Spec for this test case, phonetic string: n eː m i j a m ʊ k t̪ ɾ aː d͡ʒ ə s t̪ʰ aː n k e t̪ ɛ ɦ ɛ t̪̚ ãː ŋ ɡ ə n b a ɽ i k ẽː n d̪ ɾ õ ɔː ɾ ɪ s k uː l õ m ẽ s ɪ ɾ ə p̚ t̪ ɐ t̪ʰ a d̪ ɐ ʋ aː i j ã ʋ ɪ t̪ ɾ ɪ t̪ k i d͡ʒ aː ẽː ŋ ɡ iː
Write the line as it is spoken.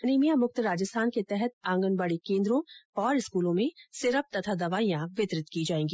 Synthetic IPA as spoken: n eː m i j a m ʊ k t̪ ɾ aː d͡ʒ ə s t̪ʰ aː n k e t̪ ɛ ɦ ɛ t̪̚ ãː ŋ ɡ ə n b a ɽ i k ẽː n d̪ ɾ õ ɔː ɾ ɪ s k uː l õ m ẽ s ɪ ɾ ə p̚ t̪ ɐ t̪ʰ a d̪ ɐ ʋ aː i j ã ʋ ɪ t̪ ɾ ɪ t̪ k i d͡ʒ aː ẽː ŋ ɡ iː

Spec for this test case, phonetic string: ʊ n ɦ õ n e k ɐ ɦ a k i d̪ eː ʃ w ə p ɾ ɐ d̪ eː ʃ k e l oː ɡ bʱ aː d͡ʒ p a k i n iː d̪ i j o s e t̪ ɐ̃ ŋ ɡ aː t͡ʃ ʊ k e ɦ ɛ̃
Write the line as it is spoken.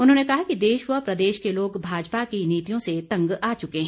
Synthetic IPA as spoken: ʊ n ɦ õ n e k ɐ ɦ a k i d̪ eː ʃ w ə p ɾ ɐ d̪ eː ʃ k e l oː ɡ bʱ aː d͡ʒ p a k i n iː t̪ i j õ s e t̪ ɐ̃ ŋ ɡ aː t͡ʃ ʊ k e ɦ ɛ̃

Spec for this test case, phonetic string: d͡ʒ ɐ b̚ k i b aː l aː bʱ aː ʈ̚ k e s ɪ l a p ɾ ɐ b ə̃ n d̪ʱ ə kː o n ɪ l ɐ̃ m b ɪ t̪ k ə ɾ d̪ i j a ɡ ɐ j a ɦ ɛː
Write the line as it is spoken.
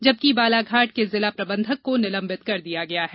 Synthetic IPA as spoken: d͡ʒ ɐ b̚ k i b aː l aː ɡʱ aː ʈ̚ k e z ɪ l a p ɾ ɐ b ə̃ n d̪ʱ ə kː o n ɪ l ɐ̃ m b ɪ t̪ k ɐ ɾ d̪ i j a ɡ ɐ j a ɦ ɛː

